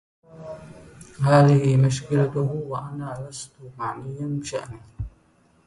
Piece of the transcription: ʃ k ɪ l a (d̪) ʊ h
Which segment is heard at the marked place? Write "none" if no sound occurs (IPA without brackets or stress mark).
t̪